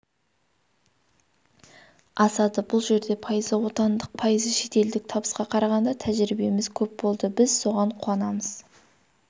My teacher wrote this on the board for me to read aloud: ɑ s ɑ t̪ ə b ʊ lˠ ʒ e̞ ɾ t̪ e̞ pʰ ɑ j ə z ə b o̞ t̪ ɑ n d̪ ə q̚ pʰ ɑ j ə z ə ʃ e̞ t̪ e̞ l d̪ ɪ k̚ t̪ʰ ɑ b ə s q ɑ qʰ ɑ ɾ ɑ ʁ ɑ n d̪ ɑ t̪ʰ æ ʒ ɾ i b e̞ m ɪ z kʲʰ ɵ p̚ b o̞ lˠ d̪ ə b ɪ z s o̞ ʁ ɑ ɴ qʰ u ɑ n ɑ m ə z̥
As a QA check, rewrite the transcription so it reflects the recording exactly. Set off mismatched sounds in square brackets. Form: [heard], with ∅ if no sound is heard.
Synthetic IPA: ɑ s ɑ [d̪] ə b ʊ lˠ ʒ e̞ ɾ [d̪] e̞ pʰ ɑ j ə z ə [w] o̞ t̪ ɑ n d̪ ə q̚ pʰ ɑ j ə z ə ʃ e̞ t̪ e̞ l d̪ ɪ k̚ t̪ʰ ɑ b ə s q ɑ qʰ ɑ ɾ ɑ ʁ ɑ n d̪ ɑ t̪ʰ æ ʒ ɾ i b e̞ m ɪ z kʲʰ ɵ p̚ b o̞ lˠ d̪ ə b ɪ z s o̞ ʁ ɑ ɴ qʰ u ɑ n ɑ m ə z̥